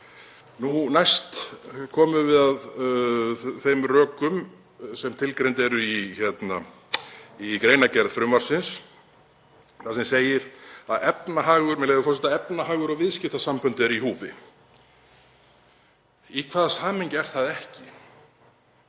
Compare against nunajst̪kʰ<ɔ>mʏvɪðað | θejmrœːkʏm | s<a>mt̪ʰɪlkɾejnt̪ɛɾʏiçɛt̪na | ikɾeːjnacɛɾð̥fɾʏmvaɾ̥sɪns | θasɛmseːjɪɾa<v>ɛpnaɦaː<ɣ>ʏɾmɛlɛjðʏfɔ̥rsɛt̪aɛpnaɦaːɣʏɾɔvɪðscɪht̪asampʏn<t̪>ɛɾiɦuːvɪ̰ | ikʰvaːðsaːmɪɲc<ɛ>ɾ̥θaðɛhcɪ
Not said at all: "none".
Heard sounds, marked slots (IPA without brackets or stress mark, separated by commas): ɔː, ɛ, ð, ɣ, t̪, ɛ